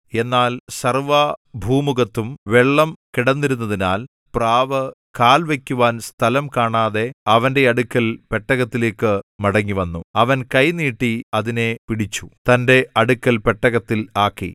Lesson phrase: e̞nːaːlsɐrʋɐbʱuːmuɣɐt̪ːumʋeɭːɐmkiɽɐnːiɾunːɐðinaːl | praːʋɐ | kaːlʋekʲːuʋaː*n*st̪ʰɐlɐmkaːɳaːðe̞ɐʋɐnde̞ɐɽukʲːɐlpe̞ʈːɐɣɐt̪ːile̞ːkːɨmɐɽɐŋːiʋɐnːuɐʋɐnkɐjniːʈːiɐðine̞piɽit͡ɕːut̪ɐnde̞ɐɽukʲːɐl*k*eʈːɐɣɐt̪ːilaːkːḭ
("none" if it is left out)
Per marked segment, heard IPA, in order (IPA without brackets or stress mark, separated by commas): n, p